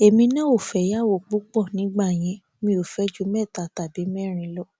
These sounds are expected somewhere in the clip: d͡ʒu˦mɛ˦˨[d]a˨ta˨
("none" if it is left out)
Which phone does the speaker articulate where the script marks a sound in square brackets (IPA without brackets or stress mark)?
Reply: t